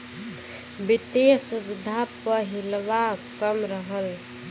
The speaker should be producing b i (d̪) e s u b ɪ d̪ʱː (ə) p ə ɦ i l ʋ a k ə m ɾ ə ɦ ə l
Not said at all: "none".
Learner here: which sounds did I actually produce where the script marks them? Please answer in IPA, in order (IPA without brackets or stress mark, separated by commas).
t̪, a